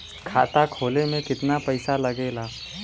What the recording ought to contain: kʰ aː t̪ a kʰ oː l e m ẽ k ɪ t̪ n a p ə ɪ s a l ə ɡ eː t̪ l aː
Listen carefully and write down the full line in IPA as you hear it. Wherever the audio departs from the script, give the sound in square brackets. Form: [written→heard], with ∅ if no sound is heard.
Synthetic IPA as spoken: kʰ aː t̪ a kʰ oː l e m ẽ k ɪ t̪ n a p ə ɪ s a l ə ɡ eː [t̪→∅] l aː